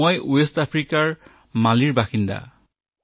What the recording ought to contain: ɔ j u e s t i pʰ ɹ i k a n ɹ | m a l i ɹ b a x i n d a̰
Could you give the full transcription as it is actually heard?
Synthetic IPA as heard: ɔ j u e s t a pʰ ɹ i k a ɹ | m a l i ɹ b a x i n d a̰